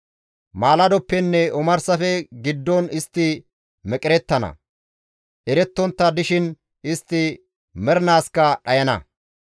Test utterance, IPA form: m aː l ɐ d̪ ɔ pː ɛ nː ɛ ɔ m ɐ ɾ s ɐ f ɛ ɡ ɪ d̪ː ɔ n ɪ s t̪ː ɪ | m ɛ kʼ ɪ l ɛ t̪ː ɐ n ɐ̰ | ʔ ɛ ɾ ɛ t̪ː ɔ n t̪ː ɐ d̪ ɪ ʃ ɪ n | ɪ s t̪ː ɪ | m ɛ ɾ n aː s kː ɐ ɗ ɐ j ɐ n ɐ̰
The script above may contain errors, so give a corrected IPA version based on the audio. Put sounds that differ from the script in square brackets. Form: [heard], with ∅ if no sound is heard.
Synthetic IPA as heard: m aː l ɐ d̪ ɔ pː ɛ nː ɛ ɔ m ɐ ɾ s ɐ f ɛ ɡ ɪ d̪ː ɔ n ɪ s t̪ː ɪ | m ɛ kʼ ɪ [ɾ] ɛ t̪ː ɐ n ɐ̰ | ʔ ɛ ɾ ɛ t̪ː ɔ n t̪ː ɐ d̪ ɪ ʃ ɪ n | ɪ s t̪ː ɪ | m ɛ ɾ n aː s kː ɐ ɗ ɐ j ɐ n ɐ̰